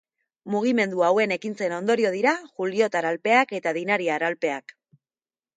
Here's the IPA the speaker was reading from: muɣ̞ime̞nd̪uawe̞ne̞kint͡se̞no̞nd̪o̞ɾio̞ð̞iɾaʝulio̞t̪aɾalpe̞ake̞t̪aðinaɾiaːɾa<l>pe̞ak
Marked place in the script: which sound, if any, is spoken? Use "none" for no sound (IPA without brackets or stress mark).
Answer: l